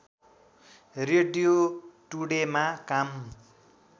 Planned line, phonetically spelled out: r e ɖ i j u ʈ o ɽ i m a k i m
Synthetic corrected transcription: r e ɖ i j o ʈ u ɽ e m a k a m